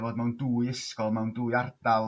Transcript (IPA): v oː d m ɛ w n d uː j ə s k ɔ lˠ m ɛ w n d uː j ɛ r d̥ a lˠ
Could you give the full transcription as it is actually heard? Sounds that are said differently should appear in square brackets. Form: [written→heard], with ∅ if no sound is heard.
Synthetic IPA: v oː d m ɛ w n d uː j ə s k ɔ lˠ m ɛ w n d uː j [ɛ→a] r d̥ a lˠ

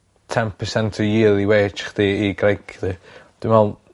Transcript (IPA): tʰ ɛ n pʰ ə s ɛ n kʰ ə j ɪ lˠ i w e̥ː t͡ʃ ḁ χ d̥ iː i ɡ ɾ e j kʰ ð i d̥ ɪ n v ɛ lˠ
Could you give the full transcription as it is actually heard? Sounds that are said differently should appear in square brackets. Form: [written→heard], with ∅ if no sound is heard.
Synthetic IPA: tʰ ɛ n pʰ ə s ɛ n [kʰ→tʰ] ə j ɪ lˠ i w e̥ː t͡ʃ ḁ χ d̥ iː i ɡ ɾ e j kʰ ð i d̥ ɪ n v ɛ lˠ

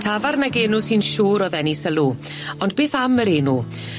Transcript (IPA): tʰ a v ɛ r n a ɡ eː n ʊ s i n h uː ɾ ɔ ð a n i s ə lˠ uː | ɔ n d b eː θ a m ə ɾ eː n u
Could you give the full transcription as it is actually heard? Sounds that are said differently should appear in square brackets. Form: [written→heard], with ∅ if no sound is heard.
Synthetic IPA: tʰ a v [ɛ→a] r n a ɡ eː n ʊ s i n [h→ʃ] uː ɾ ɔ ð [a→ɛ] n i s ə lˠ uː | ɔ n d b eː θ a m ə ɾ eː n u

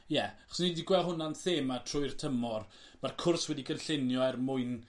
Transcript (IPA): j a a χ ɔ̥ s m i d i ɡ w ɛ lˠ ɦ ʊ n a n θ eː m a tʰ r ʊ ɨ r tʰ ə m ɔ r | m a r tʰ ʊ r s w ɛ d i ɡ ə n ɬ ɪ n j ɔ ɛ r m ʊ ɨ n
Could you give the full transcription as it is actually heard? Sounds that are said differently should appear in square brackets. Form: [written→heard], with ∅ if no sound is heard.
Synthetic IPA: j [a→ɛ] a χ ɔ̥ s [m→n] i d i ɡ w ɛ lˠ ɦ ʊ n a n θ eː m a tʰ r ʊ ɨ r tʰ ə m ɔ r | m a r [tʰ→kʰ] ʊ r s w ɛ d i ɡ ə n ɬ ɪ n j ɔ ɛ r m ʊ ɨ n

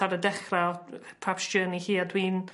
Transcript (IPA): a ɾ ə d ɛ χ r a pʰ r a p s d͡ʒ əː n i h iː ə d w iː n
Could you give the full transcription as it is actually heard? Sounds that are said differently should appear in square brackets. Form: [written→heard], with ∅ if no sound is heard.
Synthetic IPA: a ɾ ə d ɛ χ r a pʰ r a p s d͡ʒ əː n i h iː [ə→a] d w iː n

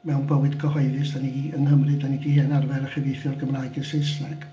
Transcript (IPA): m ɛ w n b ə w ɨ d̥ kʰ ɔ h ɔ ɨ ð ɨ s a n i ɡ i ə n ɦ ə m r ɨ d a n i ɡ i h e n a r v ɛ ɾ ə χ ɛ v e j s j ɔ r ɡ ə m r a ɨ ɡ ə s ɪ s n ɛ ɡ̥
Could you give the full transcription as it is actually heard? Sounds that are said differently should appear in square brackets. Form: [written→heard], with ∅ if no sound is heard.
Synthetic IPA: m ɛ w n b ə w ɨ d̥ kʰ ɔ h ɔ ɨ ð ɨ s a n i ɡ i ə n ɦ ə m r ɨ d a n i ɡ i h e n a r v ɛ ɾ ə χ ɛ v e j [s→θ] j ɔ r ɡ ə m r a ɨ ɡ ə s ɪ s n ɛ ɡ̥

